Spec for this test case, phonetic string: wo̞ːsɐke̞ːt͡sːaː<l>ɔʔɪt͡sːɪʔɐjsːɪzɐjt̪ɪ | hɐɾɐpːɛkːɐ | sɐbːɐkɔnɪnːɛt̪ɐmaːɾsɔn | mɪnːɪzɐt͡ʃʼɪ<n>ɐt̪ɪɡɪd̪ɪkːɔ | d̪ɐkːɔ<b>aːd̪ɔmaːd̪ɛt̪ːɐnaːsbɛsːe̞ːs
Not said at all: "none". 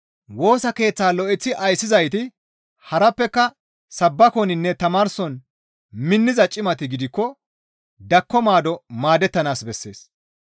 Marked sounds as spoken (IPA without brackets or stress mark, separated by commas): l, m, m